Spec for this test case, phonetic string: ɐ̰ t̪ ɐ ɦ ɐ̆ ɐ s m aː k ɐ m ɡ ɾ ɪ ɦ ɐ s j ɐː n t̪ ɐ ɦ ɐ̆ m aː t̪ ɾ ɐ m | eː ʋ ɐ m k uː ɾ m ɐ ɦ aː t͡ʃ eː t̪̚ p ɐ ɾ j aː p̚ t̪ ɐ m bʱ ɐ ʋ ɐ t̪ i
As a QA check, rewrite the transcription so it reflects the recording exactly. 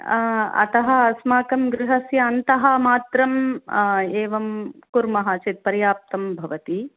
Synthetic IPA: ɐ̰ t̪ ɐ ɦ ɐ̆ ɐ s m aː k ɐ m ɡ ɾ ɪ ɦ ɐ s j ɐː n t̪ ɐ ɦ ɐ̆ m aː t̪ ɾ ɐ m | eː ʋ ɐ m k u ɾ m ɐ ɦ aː t͡ʃ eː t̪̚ p ɐ ɾ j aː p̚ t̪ ɐ m bʱ ɐ ʋ ɐ t̪ i